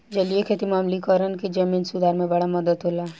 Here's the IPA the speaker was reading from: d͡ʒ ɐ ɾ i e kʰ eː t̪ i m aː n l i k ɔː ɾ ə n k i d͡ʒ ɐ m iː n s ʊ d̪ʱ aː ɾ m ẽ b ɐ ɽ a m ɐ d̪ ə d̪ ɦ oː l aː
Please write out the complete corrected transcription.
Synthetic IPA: d͡ʒ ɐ l i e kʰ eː t̪ i m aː m l i k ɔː ɾ ə n k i d͡ʒ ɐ m iː n s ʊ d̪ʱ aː ɾ m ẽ b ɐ ɽ a m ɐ d̪ ə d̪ ɦ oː l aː